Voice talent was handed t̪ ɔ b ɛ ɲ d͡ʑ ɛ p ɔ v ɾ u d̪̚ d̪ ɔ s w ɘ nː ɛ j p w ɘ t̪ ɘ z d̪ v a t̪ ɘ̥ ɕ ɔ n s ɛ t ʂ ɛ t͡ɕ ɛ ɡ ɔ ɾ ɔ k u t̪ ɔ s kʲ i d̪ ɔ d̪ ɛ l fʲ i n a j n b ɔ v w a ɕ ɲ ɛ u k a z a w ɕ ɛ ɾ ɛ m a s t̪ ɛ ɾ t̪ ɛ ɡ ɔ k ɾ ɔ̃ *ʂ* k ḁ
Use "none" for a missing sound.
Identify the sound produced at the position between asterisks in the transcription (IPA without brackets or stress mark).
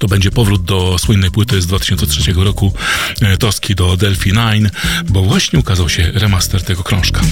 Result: ʂ